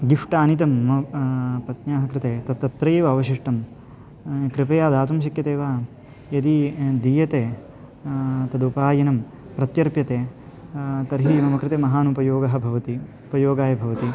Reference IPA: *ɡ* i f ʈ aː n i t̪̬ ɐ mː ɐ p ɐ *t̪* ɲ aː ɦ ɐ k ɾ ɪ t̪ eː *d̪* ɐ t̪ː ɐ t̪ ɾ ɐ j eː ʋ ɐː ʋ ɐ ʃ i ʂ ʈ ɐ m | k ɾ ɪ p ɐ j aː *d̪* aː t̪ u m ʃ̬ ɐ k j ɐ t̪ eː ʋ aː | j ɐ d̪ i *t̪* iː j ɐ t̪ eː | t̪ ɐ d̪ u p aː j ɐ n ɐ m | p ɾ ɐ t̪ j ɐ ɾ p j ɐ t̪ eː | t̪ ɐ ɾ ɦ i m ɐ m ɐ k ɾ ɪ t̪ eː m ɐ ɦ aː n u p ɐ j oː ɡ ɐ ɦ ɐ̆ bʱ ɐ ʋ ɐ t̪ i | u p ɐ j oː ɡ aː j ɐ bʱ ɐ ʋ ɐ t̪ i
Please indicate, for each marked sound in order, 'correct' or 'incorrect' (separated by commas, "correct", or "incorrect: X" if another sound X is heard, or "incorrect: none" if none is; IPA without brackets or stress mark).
correct, correct, incorrect: t̪, correct, incorrect: d̪